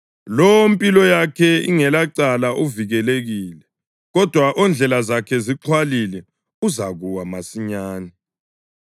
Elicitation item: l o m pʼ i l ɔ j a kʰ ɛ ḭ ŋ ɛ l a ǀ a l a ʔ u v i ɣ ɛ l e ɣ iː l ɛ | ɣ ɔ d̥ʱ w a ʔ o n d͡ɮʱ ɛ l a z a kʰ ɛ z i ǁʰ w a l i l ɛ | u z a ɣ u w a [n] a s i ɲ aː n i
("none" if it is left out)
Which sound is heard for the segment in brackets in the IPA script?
m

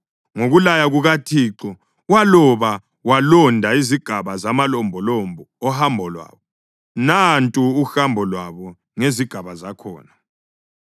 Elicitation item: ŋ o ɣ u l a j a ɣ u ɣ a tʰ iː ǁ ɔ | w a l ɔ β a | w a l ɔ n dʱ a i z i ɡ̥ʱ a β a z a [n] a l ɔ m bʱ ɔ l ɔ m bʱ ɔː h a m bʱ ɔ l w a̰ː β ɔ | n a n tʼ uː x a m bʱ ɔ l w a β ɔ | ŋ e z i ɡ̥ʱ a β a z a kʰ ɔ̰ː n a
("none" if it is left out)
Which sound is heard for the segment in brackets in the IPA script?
m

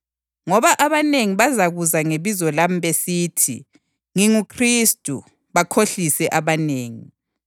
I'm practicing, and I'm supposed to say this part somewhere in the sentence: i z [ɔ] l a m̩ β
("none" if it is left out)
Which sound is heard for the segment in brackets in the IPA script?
ɔ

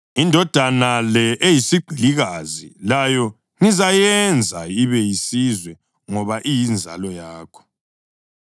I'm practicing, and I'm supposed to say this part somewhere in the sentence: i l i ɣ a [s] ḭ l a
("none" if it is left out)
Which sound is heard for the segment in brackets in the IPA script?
z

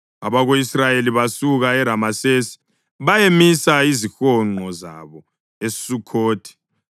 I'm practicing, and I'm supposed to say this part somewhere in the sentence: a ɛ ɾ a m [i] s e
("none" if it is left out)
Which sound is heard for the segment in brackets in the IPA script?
a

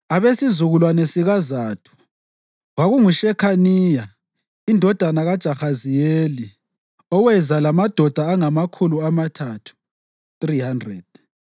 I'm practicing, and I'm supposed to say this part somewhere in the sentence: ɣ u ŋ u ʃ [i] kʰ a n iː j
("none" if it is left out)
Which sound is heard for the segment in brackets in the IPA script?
ɛ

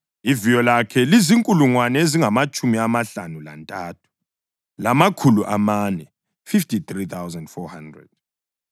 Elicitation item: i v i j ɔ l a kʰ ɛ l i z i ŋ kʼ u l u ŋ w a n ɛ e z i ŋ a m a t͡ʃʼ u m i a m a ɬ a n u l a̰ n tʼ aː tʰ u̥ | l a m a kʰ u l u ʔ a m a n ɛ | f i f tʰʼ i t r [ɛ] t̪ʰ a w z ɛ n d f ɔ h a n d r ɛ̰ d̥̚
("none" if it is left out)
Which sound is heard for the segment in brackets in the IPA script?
i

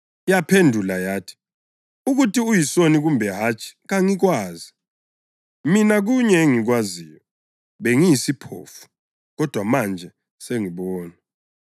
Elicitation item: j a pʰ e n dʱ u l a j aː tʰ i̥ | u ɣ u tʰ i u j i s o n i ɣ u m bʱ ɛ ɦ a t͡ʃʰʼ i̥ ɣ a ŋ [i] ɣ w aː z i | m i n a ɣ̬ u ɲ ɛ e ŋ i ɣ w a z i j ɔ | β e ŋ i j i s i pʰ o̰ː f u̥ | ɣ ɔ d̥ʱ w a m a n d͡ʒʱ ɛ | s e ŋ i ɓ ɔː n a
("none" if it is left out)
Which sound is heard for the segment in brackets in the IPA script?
i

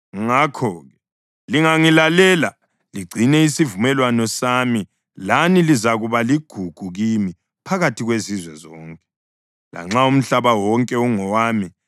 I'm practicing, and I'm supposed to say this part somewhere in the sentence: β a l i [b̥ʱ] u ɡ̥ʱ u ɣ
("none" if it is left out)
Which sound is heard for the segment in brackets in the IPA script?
ɡ̥ʱ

